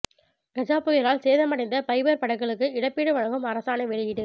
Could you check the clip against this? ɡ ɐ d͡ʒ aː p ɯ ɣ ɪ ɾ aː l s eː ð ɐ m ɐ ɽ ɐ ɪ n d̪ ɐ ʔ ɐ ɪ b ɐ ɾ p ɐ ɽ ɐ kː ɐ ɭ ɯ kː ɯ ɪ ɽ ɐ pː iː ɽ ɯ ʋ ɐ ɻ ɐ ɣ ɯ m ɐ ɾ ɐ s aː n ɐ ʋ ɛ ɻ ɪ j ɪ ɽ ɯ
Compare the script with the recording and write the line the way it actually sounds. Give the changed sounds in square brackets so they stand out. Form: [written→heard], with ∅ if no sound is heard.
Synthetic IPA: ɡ ɐ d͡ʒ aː p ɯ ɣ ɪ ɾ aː l s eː ð ɐ m ɐ ɽ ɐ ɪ n d̪ ɐ [ʔ→p] ɐ ɪ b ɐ ɾ p ɐ ɽ ɐ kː ɐ ɭ ɯ kː ɯ ɪ ɽ ɐ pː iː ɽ ɯ ʋ ɐ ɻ ɐ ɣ ɯ m ɐ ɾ ɐ s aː n ɐ ʋ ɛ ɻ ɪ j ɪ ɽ ɯ